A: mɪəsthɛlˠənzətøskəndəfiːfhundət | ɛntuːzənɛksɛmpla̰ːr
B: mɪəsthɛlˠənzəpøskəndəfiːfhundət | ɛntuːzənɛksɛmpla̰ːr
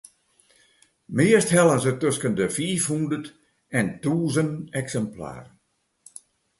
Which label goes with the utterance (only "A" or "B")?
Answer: A